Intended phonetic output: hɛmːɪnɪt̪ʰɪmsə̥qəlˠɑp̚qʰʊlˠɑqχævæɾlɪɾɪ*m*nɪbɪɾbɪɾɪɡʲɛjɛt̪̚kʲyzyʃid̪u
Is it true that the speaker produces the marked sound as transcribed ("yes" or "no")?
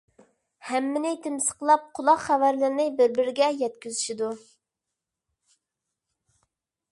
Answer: no